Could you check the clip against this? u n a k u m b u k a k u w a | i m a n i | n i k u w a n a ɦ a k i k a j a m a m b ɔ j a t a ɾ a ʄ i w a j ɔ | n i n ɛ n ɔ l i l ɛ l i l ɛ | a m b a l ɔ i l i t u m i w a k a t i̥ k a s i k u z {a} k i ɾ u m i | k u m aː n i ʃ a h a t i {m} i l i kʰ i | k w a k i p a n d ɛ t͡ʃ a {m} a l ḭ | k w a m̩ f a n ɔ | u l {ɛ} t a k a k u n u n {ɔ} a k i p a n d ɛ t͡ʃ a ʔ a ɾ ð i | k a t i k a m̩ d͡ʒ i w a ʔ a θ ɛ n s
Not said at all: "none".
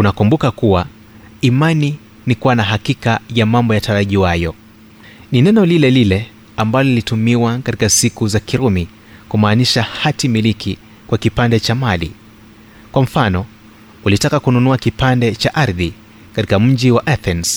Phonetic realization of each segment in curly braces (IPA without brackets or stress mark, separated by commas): a, m, m, i, u